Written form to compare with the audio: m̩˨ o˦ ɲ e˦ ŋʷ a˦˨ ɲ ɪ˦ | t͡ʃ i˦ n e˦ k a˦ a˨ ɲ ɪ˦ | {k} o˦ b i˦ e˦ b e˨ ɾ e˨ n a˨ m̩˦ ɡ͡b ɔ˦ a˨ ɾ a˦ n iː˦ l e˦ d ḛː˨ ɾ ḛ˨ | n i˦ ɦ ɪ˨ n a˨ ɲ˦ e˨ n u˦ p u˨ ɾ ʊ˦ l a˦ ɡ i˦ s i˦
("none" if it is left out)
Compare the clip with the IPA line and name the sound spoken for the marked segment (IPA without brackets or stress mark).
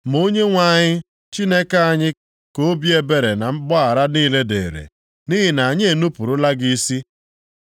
k